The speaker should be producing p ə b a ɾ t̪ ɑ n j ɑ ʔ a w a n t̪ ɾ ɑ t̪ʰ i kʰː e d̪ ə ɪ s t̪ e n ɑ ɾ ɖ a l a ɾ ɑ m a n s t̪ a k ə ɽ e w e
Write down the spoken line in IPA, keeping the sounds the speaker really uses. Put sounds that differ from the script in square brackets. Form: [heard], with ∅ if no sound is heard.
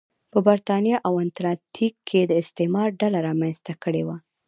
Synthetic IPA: p ə b a ɾ t̪ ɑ n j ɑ ʔ a w a n t̪ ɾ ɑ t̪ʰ i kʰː e d̪ ə ɪ s t̪ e [m] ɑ ɾ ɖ a l a ɾ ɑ m a n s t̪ a k ə ɽ e w [a]